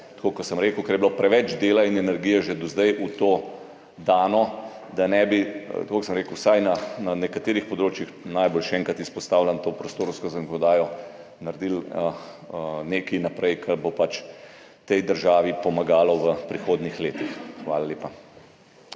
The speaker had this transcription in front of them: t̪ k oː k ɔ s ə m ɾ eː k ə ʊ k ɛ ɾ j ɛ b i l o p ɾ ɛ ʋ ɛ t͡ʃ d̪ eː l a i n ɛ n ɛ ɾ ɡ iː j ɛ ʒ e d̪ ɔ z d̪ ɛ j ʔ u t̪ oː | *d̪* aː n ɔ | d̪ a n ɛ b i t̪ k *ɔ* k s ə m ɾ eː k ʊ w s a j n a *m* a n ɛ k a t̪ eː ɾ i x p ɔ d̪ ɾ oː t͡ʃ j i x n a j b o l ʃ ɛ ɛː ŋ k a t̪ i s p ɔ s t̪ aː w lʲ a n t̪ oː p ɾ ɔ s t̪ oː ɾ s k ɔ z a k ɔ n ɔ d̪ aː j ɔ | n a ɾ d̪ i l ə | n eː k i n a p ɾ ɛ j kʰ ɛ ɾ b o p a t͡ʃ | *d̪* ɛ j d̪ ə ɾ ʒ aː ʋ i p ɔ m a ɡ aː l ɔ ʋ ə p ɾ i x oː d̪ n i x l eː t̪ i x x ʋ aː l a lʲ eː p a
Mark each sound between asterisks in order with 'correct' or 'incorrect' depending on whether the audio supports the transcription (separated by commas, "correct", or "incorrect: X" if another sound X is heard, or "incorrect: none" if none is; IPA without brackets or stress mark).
correct, incorrect: o, incorrect: n, incorrect: t̪